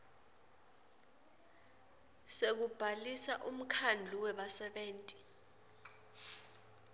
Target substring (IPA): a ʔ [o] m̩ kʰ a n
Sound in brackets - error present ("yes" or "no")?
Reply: yes